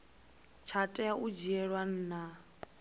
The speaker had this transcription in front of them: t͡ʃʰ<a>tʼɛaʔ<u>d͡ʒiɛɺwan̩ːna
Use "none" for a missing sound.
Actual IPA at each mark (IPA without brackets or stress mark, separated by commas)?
a, u